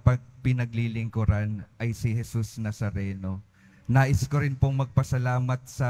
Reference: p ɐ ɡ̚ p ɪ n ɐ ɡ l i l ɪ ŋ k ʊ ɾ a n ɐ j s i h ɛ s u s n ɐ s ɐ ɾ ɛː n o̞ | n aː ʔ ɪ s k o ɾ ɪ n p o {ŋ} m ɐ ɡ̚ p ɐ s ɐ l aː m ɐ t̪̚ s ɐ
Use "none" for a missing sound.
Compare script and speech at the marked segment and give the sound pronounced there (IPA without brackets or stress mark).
ŋ